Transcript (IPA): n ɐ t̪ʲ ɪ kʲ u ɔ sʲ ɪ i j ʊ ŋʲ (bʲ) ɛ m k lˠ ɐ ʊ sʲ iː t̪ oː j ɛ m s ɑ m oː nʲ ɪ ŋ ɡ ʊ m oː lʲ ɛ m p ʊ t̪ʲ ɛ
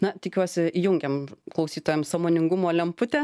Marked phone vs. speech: incorrect: ɡʲ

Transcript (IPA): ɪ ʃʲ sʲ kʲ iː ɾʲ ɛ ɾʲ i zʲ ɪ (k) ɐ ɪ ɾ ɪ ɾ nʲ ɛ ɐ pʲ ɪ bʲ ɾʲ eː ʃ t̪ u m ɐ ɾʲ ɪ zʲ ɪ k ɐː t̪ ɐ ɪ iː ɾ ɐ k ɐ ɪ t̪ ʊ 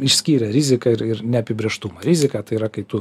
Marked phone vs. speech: correct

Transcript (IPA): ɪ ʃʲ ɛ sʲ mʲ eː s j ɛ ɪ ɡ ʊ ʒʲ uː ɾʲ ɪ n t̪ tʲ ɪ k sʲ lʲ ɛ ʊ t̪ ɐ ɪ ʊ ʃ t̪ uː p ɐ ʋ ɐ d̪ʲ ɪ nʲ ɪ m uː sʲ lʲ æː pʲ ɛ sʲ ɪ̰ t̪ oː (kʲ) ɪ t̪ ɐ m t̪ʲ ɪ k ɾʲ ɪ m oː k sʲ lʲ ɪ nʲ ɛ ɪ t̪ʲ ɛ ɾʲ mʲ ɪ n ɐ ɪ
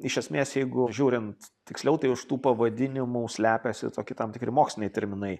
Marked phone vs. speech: correct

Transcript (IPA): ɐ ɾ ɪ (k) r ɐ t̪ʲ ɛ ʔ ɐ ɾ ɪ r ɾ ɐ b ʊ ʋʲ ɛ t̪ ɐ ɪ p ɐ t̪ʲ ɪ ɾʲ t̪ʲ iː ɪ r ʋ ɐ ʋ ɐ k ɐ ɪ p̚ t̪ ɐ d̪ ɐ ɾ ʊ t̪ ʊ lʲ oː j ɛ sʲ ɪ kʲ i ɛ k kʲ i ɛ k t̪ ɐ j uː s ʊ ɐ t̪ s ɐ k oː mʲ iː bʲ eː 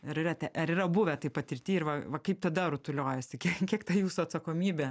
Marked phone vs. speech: incorrect: none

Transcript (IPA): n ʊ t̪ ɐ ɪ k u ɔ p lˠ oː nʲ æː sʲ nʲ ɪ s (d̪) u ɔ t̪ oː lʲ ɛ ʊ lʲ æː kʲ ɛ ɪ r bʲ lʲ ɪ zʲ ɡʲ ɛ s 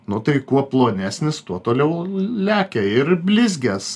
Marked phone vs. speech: incorrect: t̪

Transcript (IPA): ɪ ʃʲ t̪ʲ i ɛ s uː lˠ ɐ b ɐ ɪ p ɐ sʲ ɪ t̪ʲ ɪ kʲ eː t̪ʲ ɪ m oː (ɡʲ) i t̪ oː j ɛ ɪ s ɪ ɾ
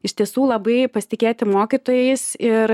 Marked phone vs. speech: incorrect: kʲ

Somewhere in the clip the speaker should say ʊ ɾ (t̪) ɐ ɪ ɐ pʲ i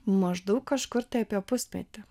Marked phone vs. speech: correct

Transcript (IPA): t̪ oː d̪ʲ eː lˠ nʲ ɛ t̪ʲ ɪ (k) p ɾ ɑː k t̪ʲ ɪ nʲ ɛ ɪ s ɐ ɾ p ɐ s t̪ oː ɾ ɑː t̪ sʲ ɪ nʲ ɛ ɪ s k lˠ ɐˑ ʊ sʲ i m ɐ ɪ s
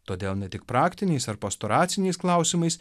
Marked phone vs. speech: correct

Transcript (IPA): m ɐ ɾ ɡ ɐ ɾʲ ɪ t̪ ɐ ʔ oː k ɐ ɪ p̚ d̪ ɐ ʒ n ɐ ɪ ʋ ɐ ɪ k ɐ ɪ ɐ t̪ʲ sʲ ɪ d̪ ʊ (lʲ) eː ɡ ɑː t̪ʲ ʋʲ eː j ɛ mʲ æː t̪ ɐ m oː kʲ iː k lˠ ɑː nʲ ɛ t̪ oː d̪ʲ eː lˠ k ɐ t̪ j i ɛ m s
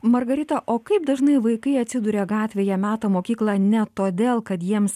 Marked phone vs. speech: incorrect: ɾʲ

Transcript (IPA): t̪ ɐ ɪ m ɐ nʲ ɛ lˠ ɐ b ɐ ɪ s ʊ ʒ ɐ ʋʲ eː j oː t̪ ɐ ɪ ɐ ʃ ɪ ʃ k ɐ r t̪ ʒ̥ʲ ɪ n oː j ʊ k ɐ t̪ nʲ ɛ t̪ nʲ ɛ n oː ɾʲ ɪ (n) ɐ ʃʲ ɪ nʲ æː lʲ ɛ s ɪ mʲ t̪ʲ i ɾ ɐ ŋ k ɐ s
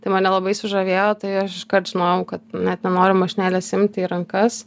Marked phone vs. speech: incorrect: m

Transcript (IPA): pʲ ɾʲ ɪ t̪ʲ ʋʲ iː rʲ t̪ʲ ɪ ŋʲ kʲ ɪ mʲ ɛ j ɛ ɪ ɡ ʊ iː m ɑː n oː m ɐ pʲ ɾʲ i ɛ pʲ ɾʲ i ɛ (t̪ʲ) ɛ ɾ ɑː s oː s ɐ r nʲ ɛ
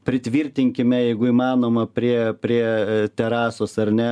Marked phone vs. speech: correct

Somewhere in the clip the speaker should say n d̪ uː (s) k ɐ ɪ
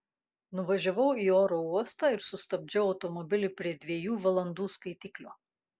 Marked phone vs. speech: correct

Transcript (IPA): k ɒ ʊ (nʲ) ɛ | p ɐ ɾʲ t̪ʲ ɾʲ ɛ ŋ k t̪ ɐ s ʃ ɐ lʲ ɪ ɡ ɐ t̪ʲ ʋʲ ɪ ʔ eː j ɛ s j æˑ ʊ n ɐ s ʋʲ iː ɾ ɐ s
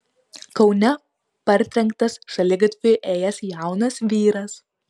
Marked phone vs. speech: correct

